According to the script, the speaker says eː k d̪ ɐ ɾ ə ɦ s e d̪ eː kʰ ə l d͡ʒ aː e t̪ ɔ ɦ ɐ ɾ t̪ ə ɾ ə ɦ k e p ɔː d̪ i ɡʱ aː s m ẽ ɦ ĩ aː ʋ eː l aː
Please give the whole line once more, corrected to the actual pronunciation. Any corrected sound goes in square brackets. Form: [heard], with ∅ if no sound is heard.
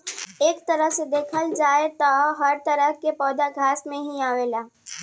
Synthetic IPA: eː k [t̪] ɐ ɾ ə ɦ s e d̪ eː kʰ ə l d͡ʒ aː e t̪ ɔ ɦ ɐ ɾ t̪ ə ɾ ə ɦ k e p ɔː d̪ [a] ɡʱ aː s m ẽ ɦ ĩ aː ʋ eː l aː